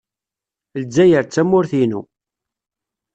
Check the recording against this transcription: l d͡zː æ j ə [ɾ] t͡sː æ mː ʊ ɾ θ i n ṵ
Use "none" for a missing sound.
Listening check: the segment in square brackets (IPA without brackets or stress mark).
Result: ɾ